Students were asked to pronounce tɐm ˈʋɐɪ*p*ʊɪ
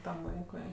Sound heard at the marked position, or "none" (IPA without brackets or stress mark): k